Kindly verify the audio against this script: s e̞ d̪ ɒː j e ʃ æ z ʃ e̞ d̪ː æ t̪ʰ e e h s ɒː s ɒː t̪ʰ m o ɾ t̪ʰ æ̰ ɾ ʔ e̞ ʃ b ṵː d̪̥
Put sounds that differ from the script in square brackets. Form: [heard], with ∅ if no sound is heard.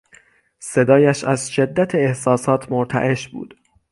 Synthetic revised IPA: s e̞ d̪ ɒː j [æ] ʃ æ z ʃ e̞ d̪ː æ t̪ʰ e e h s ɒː s ɒː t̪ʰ m o ɾ t̪ʰ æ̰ [∅] ʔ e̞ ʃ b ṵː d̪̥